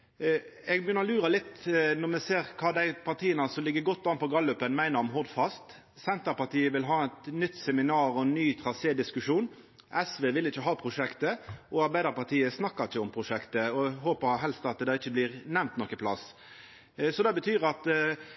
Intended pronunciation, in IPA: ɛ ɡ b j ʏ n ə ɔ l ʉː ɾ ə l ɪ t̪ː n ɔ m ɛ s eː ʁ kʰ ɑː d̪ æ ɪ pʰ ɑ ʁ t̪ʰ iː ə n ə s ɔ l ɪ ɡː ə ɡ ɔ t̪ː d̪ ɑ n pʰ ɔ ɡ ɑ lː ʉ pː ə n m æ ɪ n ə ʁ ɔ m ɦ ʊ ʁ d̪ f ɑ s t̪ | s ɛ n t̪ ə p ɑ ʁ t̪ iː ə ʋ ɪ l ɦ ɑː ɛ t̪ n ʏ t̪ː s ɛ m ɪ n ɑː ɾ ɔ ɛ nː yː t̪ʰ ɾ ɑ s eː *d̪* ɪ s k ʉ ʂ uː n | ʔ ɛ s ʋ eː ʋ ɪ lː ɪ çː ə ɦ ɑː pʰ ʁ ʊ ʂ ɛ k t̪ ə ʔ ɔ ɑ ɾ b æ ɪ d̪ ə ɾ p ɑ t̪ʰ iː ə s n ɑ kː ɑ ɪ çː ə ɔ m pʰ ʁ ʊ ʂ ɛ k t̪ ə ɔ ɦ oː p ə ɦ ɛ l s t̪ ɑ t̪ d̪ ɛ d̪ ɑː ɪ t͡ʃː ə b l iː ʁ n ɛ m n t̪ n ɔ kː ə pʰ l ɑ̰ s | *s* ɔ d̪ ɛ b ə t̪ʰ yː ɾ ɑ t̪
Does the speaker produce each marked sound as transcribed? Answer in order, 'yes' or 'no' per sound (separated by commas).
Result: yes, yes